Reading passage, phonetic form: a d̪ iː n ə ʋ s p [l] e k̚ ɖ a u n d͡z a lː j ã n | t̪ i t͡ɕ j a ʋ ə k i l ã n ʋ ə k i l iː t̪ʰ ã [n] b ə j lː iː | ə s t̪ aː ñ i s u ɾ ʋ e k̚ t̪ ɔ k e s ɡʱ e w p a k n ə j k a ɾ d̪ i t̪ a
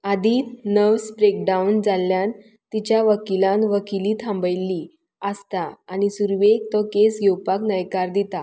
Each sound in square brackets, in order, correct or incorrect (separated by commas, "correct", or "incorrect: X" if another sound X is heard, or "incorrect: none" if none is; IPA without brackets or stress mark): incorrect: ɾ, incorrect: m